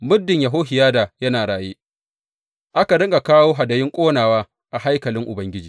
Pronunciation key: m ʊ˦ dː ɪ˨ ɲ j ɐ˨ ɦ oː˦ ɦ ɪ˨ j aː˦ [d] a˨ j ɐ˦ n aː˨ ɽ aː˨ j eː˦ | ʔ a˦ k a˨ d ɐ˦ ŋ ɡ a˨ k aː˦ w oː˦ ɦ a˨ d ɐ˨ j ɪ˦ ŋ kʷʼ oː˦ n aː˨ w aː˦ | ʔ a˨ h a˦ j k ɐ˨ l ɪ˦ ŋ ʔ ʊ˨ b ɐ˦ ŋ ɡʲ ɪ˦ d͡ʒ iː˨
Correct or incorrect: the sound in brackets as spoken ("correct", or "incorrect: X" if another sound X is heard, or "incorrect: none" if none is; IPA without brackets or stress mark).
correct